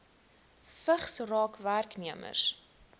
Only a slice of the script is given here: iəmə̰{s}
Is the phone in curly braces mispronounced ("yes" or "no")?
no